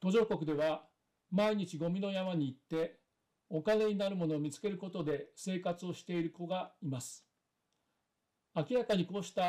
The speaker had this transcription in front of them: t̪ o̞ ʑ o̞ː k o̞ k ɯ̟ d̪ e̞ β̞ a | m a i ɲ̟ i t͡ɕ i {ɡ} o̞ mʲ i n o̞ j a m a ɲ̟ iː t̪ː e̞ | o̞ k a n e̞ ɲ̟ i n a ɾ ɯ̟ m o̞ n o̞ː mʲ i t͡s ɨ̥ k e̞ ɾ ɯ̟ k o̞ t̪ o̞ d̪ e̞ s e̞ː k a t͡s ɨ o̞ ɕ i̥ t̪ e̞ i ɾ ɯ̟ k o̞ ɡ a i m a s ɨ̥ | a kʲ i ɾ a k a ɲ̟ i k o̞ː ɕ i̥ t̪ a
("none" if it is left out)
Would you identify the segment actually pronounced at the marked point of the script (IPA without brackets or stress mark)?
ɡ